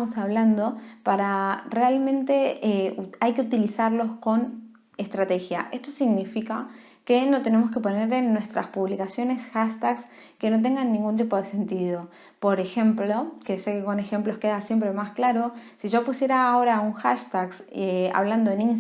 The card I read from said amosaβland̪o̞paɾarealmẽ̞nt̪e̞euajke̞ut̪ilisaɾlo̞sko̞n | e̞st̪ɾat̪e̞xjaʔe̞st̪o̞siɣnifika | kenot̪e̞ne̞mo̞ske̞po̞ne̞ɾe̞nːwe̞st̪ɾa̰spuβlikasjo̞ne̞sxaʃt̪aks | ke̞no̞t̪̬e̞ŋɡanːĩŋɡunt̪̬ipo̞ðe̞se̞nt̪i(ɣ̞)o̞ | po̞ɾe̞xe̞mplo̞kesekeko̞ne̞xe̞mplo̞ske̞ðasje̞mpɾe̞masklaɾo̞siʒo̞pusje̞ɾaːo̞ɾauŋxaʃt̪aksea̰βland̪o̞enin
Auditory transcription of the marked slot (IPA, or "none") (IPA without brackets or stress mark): ð̞